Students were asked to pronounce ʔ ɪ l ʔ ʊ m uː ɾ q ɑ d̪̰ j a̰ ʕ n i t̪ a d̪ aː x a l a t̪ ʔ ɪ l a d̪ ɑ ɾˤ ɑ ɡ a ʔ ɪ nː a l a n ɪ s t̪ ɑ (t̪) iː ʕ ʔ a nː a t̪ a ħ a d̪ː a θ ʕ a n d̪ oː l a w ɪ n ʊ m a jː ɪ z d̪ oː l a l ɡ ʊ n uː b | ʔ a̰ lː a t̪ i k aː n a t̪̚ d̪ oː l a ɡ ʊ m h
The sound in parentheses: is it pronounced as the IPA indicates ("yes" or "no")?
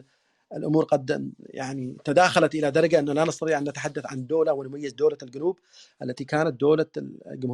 yes